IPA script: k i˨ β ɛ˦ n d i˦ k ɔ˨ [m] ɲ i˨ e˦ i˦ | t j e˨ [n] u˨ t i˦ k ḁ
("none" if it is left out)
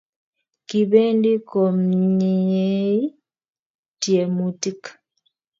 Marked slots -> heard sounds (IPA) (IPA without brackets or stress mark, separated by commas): m, m